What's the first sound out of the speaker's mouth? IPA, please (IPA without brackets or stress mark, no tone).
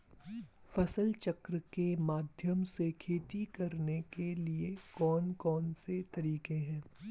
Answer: f